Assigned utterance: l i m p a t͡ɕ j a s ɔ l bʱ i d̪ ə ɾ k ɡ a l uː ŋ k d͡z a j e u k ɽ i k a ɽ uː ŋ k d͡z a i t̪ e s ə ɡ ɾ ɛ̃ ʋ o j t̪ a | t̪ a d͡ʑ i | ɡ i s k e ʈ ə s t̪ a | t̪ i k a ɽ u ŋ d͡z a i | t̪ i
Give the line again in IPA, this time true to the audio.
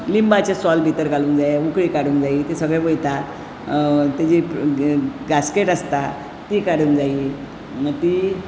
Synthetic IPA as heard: l i m b a t͡ɕ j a s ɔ l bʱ i t̪ ə ɾ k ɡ a l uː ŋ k d͡z a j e u k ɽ i k a ɽ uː ŋ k d͡z a i t̪ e s ə ɡ ɭ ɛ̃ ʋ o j t̪ a | t̪ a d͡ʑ i | ɡ a s k e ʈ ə s t̪ a | t̪ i k a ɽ u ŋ d͡z a i | t̪ i